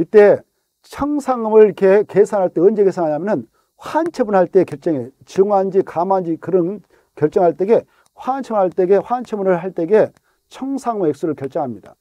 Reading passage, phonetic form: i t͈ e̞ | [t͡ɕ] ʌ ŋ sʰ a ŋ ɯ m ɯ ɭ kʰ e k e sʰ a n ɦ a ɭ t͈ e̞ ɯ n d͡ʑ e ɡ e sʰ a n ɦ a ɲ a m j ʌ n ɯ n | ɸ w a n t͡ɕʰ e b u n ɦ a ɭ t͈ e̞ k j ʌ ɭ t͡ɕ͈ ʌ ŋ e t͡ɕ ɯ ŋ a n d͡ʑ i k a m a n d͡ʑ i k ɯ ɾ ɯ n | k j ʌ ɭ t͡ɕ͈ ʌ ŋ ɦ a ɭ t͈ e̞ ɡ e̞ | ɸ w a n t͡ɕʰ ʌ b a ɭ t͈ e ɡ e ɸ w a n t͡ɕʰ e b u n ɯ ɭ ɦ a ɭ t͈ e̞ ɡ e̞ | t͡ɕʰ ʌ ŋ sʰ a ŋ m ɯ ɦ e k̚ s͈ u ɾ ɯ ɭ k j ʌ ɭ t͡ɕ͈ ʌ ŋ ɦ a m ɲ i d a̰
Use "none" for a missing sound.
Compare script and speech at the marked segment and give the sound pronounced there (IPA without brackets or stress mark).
t͡ɕʰ